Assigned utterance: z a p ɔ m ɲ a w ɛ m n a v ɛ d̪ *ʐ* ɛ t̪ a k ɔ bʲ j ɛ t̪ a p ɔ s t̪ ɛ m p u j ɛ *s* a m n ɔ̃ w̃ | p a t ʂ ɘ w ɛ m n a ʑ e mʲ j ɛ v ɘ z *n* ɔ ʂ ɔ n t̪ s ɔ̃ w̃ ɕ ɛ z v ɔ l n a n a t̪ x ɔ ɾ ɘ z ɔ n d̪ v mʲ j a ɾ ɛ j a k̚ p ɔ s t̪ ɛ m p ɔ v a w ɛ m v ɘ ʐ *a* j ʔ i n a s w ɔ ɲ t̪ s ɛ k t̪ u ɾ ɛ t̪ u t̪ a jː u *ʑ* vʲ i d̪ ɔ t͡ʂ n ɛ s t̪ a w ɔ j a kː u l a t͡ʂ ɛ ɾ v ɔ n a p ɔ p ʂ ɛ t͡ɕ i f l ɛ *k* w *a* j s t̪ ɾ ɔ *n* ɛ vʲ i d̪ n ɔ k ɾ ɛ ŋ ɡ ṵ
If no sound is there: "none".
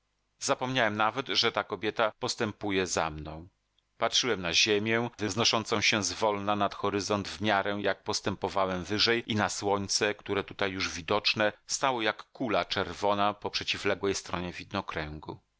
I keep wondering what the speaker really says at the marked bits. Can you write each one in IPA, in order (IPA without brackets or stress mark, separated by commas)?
ʐ, z, n, ɛ, ʐ, ɡ, ɛ, ɲ